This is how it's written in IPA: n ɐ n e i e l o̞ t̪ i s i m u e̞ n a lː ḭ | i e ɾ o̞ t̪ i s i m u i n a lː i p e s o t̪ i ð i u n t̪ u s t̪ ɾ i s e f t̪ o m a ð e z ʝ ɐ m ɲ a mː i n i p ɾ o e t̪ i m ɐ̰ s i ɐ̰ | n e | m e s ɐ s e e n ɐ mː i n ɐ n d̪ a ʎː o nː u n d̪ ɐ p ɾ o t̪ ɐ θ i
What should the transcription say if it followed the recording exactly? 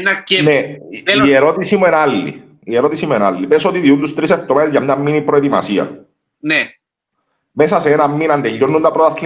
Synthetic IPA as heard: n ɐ n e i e ɾ o̞ t̪ i s i m u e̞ n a lː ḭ | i e ɾ o̞ t̪ i s i m u e n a lː i p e s o t̪ i ð i u n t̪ u s t̪ ɾ i s e f t̪ o m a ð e z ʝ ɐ m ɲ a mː i n i p ɾ o e t̪ i m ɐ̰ s i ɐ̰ | n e | m e s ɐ s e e n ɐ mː i n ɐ n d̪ e ʎː o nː u n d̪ ɐ p ɾ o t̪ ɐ θ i